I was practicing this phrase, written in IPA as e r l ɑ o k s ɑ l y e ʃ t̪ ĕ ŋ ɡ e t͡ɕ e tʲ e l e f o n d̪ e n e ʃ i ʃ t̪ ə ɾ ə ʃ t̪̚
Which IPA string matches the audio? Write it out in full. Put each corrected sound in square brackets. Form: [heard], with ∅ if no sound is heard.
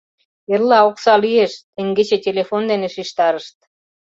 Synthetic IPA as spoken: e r l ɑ o k s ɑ l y e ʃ t̪ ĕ ŋ ɡ e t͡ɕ e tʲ e l e f o n d̪ e n e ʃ i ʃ t̪ [ɑ] ɾ ə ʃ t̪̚